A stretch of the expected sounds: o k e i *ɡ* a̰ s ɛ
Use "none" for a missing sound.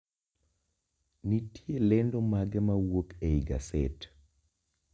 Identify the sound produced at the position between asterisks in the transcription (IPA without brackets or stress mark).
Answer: ɡ